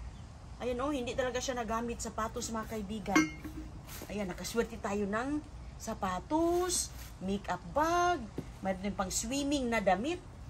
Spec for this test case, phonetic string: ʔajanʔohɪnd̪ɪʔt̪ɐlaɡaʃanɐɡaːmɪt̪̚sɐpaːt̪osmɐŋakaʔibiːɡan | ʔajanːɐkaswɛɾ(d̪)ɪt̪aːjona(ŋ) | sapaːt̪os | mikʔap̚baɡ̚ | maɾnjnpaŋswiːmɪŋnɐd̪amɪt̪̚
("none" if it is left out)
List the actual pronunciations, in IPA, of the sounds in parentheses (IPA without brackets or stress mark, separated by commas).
t̪, ŋ